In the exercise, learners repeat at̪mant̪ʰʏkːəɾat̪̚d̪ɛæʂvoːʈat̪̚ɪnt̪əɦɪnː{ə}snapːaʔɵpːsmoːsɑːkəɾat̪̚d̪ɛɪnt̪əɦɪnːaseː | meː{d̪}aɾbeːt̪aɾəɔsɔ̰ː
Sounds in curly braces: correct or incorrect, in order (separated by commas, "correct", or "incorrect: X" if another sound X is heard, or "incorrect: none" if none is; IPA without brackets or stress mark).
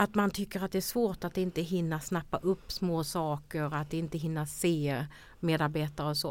incorrect: a, correct